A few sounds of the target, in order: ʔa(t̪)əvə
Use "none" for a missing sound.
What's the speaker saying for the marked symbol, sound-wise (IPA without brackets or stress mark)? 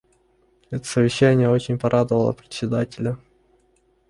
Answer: d̪